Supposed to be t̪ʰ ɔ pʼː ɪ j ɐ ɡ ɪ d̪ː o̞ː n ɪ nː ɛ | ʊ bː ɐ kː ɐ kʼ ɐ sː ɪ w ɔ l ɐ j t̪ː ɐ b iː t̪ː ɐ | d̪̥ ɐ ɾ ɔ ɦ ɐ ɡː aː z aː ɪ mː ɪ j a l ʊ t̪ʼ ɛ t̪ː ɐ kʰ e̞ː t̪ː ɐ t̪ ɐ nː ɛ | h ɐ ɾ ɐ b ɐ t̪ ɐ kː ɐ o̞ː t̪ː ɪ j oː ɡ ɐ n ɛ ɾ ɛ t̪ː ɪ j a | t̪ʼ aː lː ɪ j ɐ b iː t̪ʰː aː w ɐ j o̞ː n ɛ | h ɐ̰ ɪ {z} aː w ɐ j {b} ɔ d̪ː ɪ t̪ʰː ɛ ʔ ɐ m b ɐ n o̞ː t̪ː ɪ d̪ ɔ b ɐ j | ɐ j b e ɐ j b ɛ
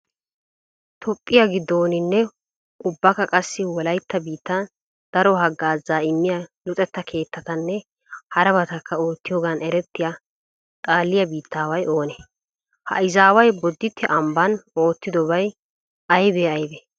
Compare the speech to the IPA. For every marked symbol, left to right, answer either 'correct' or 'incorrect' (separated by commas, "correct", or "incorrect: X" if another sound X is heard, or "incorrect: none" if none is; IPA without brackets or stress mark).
correct, correct